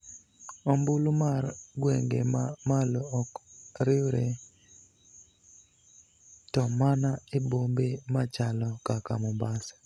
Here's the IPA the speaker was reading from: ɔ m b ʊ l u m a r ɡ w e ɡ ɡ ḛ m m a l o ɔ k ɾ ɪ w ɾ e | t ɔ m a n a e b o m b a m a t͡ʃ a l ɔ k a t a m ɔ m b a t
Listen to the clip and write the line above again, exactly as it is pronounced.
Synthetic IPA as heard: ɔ m b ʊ l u m a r ɡ w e ŋ ɡ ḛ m m a l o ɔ k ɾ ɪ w ɾ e | t ɔ m a n a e b o m b e m a t͡ʃ a l ɔ k a k a m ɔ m b a s